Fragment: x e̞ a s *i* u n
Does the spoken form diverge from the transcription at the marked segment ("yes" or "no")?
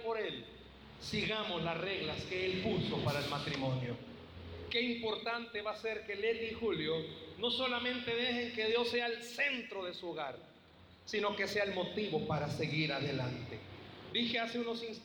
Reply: yes